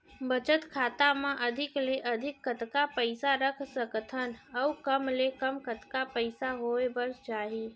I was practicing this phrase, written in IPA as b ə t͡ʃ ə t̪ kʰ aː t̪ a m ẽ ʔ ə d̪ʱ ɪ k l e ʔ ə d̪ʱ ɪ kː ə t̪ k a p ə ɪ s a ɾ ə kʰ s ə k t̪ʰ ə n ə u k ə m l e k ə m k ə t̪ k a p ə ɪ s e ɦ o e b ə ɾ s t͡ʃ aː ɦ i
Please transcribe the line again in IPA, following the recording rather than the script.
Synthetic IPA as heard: b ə t͡ʃ ə t̪ kʰ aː t̪ a m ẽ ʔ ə d̪ʱ ɪ k l e ʔ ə d̪ʱ ɪ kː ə t̪ k a p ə ɪ s a ɾ ə kʰ s ə k t̪ʰ ə n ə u k ə m l e k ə m k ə t̪ k a p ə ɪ s a ɦ o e b ə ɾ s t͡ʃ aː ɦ i